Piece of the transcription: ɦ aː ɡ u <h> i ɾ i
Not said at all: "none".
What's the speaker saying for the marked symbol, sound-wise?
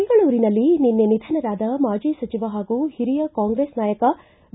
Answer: h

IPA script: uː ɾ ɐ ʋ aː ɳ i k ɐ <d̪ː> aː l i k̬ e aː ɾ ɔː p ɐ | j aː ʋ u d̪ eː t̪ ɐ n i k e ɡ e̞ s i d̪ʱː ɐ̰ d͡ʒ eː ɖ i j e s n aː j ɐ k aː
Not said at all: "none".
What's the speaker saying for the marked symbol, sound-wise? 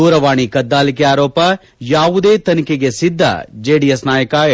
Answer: d̪ː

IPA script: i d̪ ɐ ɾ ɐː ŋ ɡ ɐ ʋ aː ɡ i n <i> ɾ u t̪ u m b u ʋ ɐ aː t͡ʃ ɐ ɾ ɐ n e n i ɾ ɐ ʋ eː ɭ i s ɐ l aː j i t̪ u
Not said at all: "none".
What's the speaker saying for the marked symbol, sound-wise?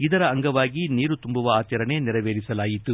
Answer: iː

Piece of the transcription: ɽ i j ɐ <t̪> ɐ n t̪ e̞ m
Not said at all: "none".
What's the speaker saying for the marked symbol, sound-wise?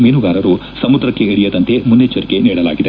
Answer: d̪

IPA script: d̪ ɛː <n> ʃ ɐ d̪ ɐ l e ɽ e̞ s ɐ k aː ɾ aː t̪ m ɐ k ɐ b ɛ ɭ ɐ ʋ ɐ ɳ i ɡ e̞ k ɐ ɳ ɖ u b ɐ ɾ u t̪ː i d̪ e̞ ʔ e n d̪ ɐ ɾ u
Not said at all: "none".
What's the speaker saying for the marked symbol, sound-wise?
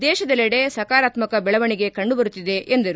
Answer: none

